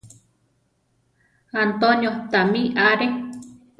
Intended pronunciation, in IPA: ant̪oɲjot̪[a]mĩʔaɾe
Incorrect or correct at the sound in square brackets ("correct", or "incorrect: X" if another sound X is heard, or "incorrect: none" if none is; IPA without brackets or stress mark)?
correct